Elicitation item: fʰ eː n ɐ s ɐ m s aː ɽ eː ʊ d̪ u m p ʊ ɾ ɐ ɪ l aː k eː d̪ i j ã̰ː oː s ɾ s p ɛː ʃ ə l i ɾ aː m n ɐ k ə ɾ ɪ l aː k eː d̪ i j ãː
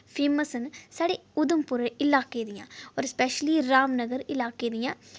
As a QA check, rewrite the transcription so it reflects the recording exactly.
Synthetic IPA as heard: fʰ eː m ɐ s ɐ n s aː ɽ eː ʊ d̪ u m p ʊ ɾ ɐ ɪ l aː k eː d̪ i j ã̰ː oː ɾ s p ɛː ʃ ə l i ɾ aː m n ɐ ɡ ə ɾ ɪ l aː k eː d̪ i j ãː